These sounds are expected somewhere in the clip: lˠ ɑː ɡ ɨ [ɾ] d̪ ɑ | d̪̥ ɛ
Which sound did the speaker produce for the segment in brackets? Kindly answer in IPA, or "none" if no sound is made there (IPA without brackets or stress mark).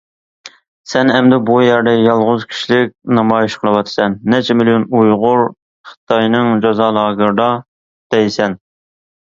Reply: ɾ